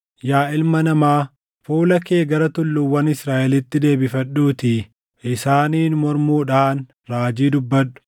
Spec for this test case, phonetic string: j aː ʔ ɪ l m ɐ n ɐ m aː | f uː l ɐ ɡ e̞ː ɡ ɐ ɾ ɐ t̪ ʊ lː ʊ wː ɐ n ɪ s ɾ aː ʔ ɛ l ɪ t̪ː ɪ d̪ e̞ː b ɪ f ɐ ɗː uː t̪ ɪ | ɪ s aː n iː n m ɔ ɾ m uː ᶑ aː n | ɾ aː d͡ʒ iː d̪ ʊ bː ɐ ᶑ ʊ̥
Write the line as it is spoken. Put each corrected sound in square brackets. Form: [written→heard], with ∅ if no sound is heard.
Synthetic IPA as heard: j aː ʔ ɪ l m ɐ n ɐ m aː | f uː l ɐ [ɡ→k] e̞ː ɡ ɐ ɾ ɐ t̪ ʊ lː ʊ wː ɐ n ɪ s ɾ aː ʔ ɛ l ɪ t̪ː ɪ d̪ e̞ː b ɪ f ɐ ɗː uː t̪ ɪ | ɪ s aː n iː n m ɔ ɾ m uː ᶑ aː n | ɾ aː d͡ʒ iː d̪ ʊ bː ɐ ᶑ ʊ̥